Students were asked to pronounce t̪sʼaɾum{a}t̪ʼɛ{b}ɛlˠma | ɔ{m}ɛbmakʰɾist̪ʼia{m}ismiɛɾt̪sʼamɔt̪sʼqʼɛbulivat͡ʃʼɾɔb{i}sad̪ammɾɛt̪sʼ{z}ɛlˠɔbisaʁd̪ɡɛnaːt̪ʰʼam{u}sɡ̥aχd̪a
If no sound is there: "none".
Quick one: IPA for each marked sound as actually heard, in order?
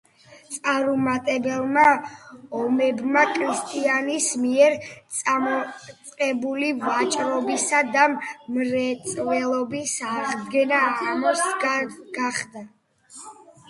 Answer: a, b, m, n, i, v, ɔ

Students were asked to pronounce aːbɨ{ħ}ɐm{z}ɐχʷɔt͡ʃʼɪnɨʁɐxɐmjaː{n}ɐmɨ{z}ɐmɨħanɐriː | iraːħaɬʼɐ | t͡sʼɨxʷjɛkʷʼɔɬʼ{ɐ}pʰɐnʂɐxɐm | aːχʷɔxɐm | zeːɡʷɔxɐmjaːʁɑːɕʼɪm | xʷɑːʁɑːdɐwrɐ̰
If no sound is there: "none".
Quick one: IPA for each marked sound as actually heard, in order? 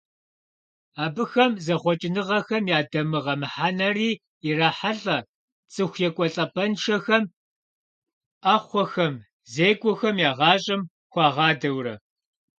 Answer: x, z, d, ʁ, ɐ

